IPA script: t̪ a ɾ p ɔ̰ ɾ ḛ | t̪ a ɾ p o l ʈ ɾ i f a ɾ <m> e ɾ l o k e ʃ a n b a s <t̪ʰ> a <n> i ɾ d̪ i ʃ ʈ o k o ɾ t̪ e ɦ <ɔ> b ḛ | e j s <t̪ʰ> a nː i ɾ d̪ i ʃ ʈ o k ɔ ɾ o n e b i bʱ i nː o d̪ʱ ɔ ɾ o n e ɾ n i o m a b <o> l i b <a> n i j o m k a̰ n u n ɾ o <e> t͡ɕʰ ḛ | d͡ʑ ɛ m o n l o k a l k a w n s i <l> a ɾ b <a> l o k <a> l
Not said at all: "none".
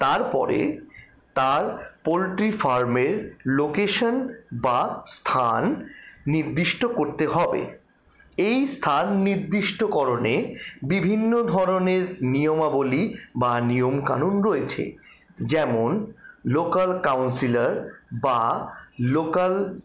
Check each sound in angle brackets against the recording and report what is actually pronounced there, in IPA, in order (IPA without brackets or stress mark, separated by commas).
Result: m, t̪ʰ, nː, ɔ, t̪ʰ, o, a, e, l, a, a